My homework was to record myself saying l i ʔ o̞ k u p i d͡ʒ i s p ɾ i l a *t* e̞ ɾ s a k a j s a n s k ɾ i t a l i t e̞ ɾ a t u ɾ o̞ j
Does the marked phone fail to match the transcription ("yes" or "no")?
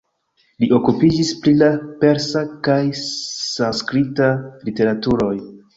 yes